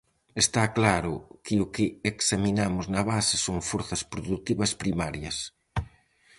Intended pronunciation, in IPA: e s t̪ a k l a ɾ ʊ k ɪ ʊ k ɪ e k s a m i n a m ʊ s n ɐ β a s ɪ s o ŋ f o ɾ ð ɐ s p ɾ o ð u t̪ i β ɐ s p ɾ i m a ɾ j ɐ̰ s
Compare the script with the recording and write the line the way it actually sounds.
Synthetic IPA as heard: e s t̪ a k l a ɾ ʊ k ɪ ʊ k ɪ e k s a m i n a m ʊ z n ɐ β a s ɪ s o ŋ f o ɾ θ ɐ s p ɾ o ð u t̪ i β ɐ s p ɾ i m a ɾ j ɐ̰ s